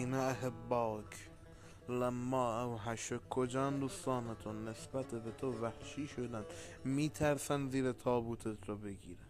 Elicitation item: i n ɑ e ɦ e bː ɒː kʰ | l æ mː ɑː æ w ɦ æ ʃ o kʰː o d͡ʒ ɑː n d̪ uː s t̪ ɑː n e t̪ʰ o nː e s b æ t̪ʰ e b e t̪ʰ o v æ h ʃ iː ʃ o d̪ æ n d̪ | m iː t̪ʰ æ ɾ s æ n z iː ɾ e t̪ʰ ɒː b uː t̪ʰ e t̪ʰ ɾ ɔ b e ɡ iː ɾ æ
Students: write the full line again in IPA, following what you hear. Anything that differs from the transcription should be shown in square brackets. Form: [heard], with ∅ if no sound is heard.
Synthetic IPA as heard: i n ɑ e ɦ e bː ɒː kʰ | l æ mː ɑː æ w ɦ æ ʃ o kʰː o d͡ʒ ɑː n d̪ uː s t̪ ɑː n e t̪ʰ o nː e s b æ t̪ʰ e b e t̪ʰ o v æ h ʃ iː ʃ o d̪ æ n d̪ | m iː t̪ʰ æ ɾ s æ n z iː ɾ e t̪ʰ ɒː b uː t̪ʰ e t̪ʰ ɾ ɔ b e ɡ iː ɾ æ